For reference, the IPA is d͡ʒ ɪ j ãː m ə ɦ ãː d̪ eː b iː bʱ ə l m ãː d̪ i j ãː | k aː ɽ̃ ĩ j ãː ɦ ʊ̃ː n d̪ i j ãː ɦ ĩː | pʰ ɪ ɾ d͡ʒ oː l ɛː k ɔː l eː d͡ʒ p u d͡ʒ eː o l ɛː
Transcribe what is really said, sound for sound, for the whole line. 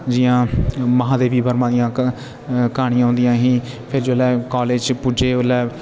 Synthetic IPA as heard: d͡ʒ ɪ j ãː m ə ɦ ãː d̪ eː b iː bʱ ə ɾ m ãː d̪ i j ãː | k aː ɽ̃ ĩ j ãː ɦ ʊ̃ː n d̪ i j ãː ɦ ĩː | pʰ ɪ ɾ d͡ʒ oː l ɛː k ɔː l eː d͡ʒ p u d͡ʒ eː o l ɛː